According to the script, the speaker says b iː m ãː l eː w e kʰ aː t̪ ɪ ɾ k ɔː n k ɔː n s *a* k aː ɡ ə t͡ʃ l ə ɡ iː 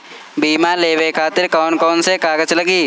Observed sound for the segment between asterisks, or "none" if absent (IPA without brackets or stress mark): e